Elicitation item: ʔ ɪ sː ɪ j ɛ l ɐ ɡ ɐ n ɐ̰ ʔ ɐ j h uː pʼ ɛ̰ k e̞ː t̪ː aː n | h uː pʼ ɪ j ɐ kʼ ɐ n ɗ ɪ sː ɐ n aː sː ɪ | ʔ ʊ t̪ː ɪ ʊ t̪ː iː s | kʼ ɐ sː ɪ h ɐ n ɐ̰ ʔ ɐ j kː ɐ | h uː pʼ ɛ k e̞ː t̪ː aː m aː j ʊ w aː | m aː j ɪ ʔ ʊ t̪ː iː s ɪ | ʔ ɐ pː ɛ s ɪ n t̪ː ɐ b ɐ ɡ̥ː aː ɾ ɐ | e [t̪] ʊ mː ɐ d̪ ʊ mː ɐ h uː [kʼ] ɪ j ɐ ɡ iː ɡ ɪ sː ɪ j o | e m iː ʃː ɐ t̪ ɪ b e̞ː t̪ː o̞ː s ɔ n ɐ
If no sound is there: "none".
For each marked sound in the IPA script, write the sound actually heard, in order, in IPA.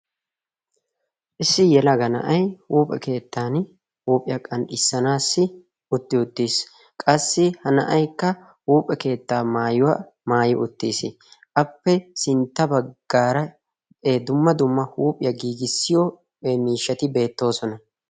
d̪, pʼ

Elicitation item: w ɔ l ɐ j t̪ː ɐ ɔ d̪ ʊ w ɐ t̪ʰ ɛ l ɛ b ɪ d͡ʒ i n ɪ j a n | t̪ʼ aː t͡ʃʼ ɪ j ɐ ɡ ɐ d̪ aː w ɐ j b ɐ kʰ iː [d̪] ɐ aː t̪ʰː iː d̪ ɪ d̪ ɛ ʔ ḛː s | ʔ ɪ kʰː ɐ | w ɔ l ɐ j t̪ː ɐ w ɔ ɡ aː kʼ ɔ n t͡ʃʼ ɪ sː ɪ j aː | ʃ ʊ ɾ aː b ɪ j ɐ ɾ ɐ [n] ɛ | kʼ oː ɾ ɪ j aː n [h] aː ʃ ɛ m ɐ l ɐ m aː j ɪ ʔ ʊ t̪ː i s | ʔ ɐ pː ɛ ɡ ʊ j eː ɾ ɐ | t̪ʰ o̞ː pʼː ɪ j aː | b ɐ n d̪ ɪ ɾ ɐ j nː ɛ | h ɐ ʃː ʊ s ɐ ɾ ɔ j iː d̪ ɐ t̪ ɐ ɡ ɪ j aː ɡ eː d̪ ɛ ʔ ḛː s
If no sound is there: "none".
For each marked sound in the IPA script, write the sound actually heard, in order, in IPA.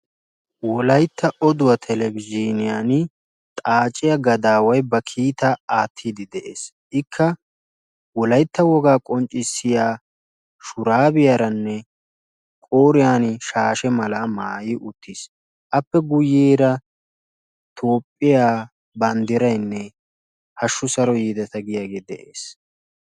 t̪, nː, ʃ

